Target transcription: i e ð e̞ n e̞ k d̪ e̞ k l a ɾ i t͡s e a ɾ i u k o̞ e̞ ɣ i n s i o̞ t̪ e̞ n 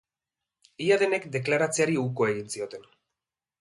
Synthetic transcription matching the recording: i a ð e̞ n e̞ k d̪ e̞ k l a ɾ a t͡s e a ɾ i u k o̞ e̞ ɣ i n s i o̞ t̪ e̞ n